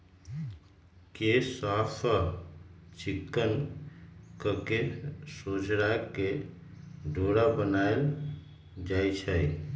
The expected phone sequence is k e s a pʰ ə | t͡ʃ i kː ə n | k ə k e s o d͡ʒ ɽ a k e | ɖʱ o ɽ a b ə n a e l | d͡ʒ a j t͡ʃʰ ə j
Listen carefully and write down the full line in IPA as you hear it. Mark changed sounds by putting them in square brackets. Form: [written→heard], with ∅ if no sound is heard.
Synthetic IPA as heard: k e s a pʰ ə | t͡ʃ i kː ə n | k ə k e s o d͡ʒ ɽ a k e | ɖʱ o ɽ a b ə n a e l | d͡ʒ a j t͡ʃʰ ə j

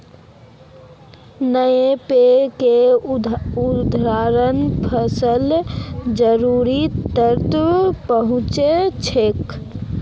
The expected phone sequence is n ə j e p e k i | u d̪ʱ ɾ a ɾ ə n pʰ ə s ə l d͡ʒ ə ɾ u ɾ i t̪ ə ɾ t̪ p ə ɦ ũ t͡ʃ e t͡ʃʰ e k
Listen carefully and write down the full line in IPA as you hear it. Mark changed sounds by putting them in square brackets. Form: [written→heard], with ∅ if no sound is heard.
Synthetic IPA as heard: n ə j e p e k [i→e] | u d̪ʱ ɾ a ɾ ə n pʰ ə s ə l d͡ʒ ə ɾ u ɾ i t̪ ə ɾ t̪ p ə ɦ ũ t͡ʃ e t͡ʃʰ e k

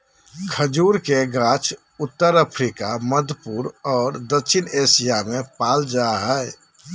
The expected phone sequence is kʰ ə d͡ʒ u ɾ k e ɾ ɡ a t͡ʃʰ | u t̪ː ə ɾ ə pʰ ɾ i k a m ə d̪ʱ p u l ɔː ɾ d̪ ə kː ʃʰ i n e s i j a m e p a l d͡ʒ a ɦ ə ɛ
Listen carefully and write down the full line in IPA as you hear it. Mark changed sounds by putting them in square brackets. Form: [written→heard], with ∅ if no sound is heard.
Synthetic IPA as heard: kʰ ə d͡ʒ u ɾ k e [ɾ→∅] ɡ a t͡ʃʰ | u t̪ː ə ɾ ə pʰ ɾ i k a m ə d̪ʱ p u [l→ɾ] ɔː ɾ d̪ ə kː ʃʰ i n e s i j a m e p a l d͡ʒ a ɦ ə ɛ

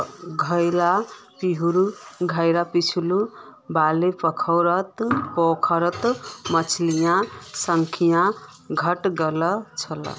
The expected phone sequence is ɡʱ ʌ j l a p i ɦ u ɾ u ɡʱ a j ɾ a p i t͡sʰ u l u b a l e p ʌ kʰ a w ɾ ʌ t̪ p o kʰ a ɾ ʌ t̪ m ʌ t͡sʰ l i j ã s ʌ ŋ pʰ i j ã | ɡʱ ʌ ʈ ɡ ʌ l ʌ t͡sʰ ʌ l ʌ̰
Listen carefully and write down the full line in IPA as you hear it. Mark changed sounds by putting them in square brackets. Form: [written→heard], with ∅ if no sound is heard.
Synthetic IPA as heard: ɡʱ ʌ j l a p i ɦ u ɾ u ɡʱ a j ɾ a p i t͡sʰ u l u b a l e p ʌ kʰ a w ɾ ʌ t̪ p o kʰ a ɾ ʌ t̪ m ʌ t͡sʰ l i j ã s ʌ ŋ [pʰ→kʰ] i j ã | ɡʱ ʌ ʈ ɡ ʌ l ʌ t͡sʰ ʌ l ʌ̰

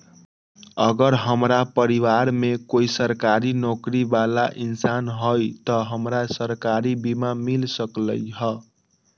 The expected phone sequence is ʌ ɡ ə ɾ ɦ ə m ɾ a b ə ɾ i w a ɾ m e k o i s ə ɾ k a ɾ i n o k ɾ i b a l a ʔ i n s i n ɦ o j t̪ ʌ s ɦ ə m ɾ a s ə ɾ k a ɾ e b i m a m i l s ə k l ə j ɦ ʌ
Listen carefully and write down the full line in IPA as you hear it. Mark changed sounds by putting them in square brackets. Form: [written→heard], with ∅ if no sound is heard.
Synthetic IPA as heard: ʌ ɡ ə ɾ ɦ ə m ɾ a [b→p] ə ɾ i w a ɾ m e k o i s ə ɾ k a ɾ i n o k ɾ i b a l a ʔ i n s [i→a] n ɦ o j t̪ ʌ [s→∅] ɦ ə m ɾ a s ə ɾ k a ɾ [e→i] b i m a m i l s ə k l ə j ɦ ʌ

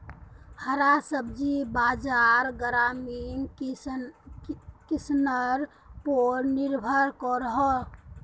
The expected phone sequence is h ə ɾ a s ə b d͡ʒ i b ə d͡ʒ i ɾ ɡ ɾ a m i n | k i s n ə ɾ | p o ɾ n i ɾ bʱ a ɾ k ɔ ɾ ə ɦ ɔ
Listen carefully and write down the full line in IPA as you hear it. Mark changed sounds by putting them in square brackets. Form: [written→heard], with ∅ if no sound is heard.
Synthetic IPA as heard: h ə ɾ a s ə b d͡ʒ i b [ə→a] d͡ʒ [i→a] ɾ ɡ ɾ a m i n | k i s n ə ɾ | p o ɾ n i ɾ bʱ [a→ə] ɾ k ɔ ɾ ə ɦ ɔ

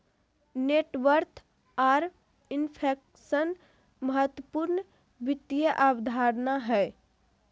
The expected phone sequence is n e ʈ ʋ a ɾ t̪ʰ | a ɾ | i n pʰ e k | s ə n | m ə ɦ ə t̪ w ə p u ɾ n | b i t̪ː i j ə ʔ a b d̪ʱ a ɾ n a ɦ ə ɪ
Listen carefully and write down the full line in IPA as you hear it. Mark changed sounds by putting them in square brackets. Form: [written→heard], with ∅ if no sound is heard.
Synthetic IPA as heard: n e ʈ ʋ [a→ə] ɾ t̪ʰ | a ɾ | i n pʰ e k | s ə n | m ə ɦ ə t̪ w ə p u ɾ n | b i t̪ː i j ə ʔ a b d̪ʱ a ɾ n a ɦ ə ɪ

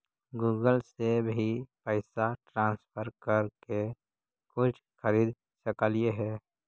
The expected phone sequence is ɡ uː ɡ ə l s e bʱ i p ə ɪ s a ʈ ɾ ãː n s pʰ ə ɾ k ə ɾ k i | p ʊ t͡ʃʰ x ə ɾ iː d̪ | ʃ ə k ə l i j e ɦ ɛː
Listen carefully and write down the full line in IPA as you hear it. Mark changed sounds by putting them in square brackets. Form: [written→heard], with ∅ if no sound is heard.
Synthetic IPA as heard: ɡ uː ɡ ə l s e bʱ i p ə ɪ s a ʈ ɾ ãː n s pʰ ə ɾ k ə ɾ k [i→e] | [p→k] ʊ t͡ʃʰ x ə ɾ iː d̪ | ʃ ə k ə l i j e ɦ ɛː

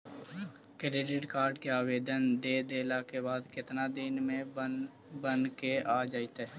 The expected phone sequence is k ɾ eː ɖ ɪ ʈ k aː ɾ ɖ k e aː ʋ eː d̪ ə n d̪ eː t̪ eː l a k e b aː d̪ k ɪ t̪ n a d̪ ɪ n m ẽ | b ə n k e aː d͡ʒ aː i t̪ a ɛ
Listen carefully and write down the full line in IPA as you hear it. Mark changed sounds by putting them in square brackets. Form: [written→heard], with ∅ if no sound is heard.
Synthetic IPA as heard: k ɾ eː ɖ ɪ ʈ k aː ɾ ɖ k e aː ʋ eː d̪ ə n d̪ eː [t̪→d̪] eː l a k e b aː d̪ k ɪ t̪ n a d̪ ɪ n m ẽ | b ə n k e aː d͡ʒ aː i t̪ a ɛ

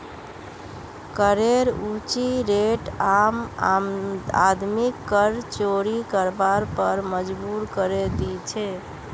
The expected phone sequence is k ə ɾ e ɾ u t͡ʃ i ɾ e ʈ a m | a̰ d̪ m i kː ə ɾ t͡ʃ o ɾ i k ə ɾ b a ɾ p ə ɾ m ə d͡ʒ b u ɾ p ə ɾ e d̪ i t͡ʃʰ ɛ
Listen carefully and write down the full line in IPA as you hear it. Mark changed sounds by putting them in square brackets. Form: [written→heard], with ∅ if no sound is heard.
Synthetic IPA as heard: k ə ɾ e ɾ u t͡ʃ i ɾ e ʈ a m | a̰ d̪ m i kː ə ɾ t͡ʃ o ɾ i k ə ɾ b a ɾ p ə ɾ m ə d͡ʒ b u ɾ [p→k] ə ɾ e d̪ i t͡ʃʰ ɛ

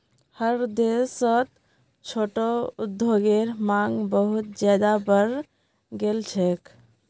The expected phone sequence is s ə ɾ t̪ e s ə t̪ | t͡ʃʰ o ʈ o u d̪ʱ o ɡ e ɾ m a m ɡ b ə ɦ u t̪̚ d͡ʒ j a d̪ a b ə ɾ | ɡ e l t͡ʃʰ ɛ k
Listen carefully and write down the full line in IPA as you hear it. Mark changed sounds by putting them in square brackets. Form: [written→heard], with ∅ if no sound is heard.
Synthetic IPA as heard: [s→h] ə ɾ [t̪→d̪] e s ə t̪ | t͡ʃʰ o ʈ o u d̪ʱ o ɡ e ɾ m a [m→ŋ] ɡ b ə ɦ u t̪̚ d͡ʒ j a d̪ a b ə ɾ | ɡ e l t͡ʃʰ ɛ k

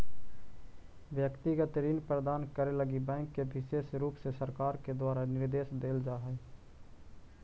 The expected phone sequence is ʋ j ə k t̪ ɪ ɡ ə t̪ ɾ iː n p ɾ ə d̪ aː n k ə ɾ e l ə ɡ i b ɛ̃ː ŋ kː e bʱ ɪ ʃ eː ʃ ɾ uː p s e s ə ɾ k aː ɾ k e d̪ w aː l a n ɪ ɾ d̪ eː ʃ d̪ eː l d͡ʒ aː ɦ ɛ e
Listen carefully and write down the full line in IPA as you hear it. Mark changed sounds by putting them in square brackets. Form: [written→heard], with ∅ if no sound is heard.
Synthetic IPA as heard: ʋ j ə k t̪ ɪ ɡ ə t̪ ɾ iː n p ɾ ə d̪ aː n k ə ɾ e l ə ɡ i b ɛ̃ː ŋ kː e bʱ ɪ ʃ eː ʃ ɾ uː p s e s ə ɾ k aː ɾ k e d̪ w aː [l→ɾ] a n ɪ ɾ d̪ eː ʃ d̪ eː l d͡ʒ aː ɦ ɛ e

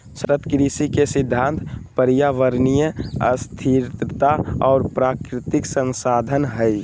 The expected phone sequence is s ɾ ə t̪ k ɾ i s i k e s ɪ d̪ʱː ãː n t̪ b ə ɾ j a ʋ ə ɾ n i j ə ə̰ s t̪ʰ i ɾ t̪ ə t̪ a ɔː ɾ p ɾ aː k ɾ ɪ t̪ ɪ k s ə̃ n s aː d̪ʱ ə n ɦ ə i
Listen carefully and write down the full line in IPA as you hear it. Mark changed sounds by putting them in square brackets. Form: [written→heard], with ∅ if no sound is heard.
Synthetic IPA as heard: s ɾ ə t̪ k ɾ i s i k e s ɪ d̪ʱː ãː n t̪ [b→p] ə ɾ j a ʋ ə ɾ n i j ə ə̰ s t̪ʰ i ɾ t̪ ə t̪ a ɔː ɾ p ɾ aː k ɾ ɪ t̪ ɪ k s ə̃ n s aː d̪ʱ ə n ɦ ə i

